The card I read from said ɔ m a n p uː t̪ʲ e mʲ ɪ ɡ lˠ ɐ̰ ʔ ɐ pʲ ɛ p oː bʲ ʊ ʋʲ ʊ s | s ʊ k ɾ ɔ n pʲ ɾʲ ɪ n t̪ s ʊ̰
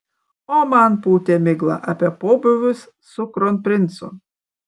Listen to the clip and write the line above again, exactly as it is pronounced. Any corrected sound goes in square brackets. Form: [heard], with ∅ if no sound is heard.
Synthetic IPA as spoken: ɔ m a n p uː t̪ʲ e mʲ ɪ ɡ lˠ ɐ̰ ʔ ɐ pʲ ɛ p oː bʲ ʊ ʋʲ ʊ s | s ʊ k ɾ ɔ n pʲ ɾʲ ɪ n t̪ s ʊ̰